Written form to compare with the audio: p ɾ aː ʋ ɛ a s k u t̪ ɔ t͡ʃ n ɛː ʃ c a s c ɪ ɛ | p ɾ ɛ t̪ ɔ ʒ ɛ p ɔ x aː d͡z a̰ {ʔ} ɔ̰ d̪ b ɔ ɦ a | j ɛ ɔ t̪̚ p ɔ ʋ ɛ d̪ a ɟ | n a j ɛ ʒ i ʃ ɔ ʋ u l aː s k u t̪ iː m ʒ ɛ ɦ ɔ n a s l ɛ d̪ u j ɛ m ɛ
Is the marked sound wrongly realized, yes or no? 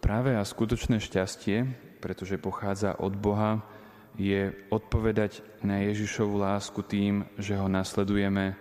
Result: no